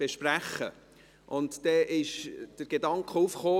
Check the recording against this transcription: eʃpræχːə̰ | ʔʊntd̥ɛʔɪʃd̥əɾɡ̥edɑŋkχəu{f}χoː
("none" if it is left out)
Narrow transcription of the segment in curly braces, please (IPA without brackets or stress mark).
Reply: f